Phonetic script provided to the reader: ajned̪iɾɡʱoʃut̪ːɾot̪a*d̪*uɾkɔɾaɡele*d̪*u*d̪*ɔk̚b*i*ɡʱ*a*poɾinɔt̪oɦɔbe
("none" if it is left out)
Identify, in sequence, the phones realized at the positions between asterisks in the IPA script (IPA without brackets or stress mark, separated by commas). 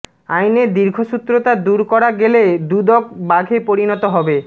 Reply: d̪, d̪, d̪, a, e